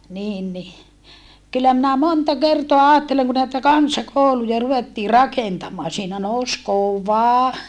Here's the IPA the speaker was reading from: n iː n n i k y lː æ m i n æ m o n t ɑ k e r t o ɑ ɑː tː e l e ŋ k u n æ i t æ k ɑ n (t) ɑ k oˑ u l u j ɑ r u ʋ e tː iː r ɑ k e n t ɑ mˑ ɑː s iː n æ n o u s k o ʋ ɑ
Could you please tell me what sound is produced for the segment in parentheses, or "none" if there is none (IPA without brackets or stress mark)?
s